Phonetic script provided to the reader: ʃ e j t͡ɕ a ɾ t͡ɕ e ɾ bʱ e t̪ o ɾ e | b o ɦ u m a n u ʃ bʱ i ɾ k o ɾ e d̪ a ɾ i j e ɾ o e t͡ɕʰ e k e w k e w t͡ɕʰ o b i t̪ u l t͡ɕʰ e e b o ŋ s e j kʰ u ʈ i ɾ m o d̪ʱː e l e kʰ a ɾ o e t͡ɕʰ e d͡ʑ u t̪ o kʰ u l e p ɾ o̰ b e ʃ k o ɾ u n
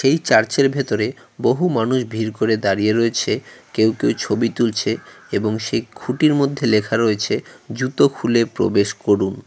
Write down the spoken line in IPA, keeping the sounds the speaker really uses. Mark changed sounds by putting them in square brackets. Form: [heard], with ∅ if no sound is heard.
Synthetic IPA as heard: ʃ e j t͡ɕ a ɾ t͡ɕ e ɾ bʱ e t̪ o ɾ e | b o ɦ u m a n u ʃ bʱ i ɾ k o ɾ e d̪ a ɾ i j e ɾ o e t͡ɕʰ e k e w k e w t͡ɕʰ o b i t̪ u l t͡ɕʰ e e b o ŋ [ʃ] e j kʰ u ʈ i ɾ m o d̪ʱː e l e kʰ a ɾ o e t͡ɕʰ e d͡ʑ u t̪ o kʰ u l e p ɾ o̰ b e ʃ k o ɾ u n